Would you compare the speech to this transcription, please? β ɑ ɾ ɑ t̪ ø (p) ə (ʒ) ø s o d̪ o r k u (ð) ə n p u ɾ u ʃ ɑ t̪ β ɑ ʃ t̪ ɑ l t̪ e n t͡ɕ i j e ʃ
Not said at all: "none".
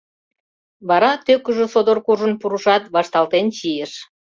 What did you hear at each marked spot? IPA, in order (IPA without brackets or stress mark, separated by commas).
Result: k, ʒ, ʒ